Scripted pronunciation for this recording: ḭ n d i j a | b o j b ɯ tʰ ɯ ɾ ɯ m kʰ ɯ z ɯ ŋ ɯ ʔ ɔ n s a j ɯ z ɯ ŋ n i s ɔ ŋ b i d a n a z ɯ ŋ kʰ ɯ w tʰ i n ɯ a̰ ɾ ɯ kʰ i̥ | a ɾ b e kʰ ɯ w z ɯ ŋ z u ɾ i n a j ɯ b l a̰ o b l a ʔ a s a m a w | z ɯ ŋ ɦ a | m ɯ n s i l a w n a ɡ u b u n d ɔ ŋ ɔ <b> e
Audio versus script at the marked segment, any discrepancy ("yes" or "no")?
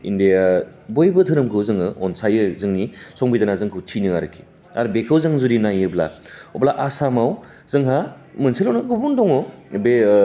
no